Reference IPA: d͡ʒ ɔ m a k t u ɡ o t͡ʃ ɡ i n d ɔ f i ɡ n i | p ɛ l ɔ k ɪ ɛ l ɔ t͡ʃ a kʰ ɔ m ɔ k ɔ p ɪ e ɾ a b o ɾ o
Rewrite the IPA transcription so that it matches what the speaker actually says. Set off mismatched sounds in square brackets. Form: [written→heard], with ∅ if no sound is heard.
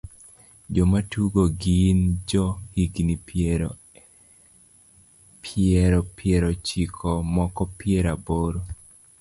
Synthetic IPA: d͡ʒ ɔ m a [k→∅] t u ɡ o [t͡ʃ→∅] ɡ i n [d→d͡ʒ] ɔ [f→h] i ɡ n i | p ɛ [l→ɾ] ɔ [k→p] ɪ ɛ [l→ɾ] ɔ t͡ʃ [a→i] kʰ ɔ m ɔ k ɔ p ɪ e ɾ a b o ɾ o